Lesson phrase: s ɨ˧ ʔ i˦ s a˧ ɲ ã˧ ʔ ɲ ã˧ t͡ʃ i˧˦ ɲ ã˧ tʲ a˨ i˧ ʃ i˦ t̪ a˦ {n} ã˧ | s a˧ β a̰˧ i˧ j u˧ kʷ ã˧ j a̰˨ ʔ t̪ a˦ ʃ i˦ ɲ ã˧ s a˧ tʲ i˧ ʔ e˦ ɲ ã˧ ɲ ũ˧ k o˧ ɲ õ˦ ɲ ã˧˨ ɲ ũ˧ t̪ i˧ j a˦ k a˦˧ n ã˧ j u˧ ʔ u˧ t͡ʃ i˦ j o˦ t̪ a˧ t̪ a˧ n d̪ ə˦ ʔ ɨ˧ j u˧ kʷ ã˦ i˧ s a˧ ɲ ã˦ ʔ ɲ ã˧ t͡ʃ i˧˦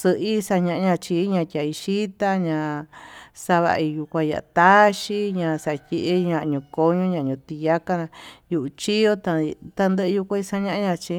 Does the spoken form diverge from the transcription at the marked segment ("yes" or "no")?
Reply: yes